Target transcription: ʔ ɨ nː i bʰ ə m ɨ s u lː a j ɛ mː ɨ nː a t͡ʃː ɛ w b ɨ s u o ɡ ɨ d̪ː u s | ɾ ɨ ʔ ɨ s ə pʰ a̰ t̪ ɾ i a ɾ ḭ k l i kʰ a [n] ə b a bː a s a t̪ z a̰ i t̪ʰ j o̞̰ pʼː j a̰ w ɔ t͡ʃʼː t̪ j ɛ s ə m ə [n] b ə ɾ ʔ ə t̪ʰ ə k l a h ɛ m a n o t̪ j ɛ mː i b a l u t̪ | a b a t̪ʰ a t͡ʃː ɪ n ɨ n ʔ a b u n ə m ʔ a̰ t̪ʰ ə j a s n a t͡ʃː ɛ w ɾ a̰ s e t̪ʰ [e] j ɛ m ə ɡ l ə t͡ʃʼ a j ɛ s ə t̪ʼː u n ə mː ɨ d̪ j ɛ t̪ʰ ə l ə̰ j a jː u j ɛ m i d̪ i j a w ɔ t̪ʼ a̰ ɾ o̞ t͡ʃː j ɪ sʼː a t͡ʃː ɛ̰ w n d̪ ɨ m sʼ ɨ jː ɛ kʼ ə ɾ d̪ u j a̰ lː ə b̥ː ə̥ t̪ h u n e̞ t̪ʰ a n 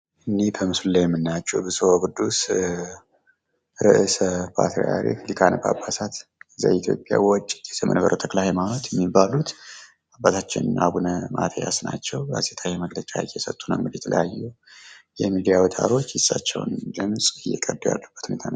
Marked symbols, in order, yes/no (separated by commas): yes, yes, no